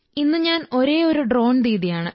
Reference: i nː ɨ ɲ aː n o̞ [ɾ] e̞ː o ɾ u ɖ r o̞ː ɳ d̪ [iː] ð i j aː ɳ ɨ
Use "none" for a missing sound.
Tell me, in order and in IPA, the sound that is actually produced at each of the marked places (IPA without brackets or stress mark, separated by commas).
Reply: ɾ, iː